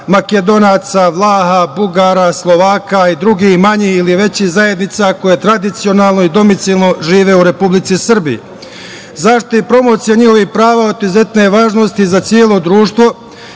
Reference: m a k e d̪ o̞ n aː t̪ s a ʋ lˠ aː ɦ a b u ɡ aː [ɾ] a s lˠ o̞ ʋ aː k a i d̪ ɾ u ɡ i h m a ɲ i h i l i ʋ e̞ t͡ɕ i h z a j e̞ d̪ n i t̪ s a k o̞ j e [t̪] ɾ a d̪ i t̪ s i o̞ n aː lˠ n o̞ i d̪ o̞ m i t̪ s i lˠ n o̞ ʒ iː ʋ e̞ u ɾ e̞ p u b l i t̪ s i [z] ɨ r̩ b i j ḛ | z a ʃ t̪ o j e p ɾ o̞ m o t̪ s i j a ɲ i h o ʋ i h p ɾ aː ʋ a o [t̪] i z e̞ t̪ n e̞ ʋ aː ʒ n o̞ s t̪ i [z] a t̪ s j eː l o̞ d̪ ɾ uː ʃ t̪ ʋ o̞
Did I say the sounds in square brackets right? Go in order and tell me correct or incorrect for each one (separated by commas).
correct, correct, incorrect, correct, correct